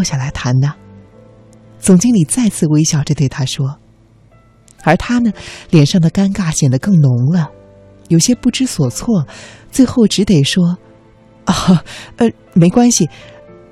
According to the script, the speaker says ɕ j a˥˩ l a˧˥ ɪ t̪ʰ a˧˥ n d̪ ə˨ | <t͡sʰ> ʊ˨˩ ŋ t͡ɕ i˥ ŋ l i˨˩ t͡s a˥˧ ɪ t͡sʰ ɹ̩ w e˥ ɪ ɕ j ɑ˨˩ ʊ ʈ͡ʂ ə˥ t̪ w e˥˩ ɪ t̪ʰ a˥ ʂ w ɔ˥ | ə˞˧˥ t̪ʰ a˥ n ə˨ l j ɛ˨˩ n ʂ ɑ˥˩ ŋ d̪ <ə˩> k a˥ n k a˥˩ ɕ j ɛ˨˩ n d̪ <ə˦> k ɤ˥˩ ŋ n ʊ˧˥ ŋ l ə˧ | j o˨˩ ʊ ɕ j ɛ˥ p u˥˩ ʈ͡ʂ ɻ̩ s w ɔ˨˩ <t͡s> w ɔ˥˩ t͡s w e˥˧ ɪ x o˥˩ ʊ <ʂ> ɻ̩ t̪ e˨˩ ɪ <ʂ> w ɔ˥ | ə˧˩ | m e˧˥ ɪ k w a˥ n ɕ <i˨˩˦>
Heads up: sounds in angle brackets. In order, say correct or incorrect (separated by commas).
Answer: incorrect, correct, correct, incorrect, incorrect, correct, incorrect